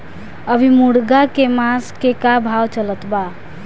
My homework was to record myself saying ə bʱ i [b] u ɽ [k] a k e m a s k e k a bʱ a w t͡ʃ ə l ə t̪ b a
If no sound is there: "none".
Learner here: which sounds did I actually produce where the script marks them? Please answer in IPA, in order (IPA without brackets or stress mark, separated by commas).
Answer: m, ɡ